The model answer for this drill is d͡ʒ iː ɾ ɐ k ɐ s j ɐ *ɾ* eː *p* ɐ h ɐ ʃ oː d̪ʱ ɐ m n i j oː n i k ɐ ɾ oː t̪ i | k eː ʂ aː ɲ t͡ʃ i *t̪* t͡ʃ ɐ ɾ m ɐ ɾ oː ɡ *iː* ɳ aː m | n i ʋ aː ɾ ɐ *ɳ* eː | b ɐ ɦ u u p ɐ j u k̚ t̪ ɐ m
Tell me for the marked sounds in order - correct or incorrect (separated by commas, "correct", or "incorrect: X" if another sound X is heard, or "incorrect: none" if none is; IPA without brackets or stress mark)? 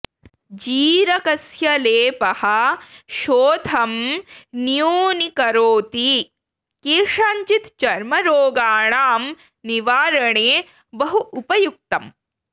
incorrect: l, correct, correct, incorrect: aː, correct